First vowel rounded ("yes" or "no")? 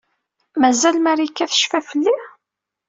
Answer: no